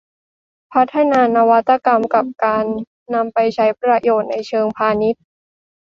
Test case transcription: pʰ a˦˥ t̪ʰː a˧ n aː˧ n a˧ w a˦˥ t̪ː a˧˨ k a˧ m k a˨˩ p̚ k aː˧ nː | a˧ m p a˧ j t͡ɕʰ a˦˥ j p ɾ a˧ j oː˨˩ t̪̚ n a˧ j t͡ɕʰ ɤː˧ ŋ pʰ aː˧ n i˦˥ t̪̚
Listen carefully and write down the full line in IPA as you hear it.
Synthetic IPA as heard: pʰ a˦˥ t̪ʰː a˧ n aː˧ n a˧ w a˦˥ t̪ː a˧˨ k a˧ m k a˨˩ p̚ k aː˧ nː | a˧ m p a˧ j t͡ɕʰ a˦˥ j p ɾ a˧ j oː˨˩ t̪̚ n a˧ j t͡ɕʰ ɤː˧ ŋ pʰ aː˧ n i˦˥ t̪̚

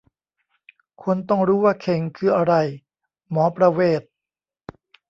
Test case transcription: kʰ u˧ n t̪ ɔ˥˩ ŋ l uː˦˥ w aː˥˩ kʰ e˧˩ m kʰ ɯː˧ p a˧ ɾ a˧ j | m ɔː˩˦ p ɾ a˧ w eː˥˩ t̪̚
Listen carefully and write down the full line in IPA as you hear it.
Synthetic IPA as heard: kʰ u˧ n t̪ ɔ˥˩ ŋ ɾ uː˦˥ w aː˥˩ kʰ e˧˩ ŋ kʰ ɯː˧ ʔ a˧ ɾ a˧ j | m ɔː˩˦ p ɾ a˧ w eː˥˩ t̪̚

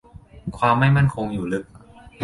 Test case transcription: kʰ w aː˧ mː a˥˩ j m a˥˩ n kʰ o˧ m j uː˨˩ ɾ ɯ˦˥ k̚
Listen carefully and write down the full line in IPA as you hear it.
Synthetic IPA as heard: kʰ w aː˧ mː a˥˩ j m a˥˩ n kʰ o˧ ŋ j uː˨˩ l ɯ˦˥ k̚

